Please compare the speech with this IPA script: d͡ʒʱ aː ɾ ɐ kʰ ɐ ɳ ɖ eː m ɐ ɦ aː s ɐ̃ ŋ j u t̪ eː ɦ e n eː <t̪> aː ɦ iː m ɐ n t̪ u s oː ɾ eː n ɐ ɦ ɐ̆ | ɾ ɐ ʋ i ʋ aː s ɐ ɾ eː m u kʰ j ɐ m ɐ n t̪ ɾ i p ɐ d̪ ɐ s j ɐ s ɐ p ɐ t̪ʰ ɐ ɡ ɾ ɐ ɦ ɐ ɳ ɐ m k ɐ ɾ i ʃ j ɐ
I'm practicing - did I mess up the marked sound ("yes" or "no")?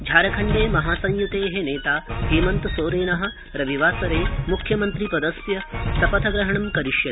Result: no